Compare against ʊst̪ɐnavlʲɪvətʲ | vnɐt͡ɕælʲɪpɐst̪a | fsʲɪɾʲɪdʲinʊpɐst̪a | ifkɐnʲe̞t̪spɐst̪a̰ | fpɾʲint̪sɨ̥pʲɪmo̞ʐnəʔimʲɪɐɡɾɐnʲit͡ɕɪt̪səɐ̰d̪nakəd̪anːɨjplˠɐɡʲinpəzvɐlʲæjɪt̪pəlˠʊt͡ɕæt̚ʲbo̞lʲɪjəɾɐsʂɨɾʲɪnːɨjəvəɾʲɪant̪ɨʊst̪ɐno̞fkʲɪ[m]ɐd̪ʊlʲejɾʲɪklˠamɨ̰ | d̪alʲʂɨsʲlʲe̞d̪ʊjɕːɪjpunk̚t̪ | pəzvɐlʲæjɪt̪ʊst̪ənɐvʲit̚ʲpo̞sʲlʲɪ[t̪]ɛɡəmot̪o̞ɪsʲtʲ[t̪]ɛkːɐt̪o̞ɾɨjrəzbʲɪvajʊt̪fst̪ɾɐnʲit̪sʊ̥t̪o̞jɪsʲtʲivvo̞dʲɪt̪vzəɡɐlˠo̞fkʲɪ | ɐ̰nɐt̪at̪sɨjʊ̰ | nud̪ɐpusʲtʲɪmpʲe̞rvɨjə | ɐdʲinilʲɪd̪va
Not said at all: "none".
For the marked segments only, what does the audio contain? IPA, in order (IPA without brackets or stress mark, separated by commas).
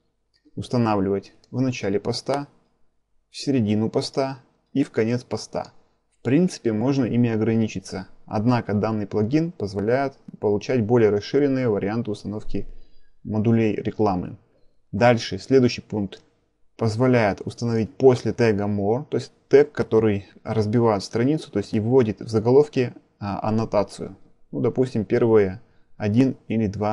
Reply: m, t̪, t̪